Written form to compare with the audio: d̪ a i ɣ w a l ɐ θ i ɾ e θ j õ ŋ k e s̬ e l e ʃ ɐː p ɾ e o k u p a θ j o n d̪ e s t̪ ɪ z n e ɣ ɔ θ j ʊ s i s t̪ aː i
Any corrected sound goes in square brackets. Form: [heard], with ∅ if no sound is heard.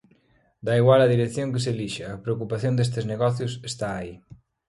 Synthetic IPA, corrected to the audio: d̪ a i ɣ w a l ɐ [ð] i ɾ e θ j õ ŋ k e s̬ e l [i] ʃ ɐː p ɾ e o k u p a θ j o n d̪ e s t̪ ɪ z n e ɣ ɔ θ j ʊ s [e] s t̪ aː i